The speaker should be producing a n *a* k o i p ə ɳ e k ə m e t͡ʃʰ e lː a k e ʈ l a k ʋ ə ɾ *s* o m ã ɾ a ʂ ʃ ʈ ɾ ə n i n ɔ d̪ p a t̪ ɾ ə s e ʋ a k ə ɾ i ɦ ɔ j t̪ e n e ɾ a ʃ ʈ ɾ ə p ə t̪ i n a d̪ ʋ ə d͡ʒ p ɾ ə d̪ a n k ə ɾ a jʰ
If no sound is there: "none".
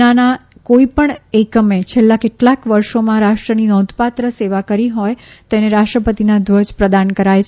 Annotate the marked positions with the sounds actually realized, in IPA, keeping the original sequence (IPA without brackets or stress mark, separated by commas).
a, ʃ